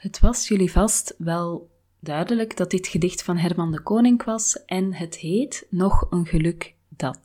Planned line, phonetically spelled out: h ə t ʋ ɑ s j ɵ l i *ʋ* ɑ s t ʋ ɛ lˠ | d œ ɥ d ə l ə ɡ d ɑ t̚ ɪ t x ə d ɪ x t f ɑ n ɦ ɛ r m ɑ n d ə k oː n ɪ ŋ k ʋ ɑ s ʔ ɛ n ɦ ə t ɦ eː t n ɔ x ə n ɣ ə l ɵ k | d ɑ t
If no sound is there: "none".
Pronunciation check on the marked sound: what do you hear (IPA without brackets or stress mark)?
v